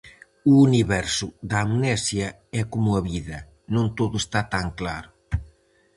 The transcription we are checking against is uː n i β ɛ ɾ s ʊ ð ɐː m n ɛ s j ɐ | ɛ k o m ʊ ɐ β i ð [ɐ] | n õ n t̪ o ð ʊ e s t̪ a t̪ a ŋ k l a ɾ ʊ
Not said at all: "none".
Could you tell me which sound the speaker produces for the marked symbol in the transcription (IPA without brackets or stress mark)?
ɐ